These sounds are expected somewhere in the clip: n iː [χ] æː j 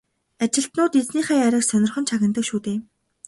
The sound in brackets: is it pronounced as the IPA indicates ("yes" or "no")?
yes